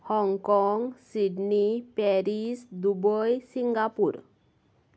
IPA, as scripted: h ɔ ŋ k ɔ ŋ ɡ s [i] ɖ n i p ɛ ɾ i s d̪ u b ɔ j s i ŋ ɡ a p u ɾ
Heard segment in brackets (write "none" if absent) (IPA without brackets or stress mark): i